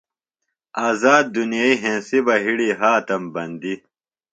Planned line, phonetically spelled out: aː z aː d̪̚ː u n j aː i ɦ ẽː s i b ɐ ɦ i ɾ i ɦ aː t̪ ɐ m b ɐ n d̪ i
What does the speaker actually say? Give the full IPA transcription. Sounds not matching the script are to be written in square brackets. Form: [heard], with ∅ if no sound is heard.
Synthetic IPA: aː z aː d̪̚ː u n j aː i ɦ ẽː s i b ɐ ɦ i [ɽ] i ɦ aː t̪ ɐ m b ɐ n d̪ i